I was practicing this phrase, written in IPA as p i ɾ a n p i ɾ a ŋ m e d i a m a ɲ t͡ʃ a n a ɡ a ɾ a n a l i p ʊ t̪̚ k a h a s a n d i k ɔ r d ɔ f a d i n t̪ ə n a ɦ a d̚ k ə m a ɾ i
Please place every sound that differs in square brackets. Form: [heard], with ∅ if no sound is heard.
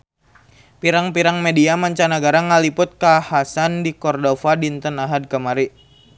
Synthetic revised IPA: p i ɾ a [ŋ] p i ɾ a ŋ m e d i a m a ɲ t͡ʃ a n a ɡ a ɾ a [ŋ] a l i p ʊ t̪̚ k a h a s a n d i k ɔ r d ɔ f a d i n t̪ ə n a ɦ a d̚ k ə m a ɾ i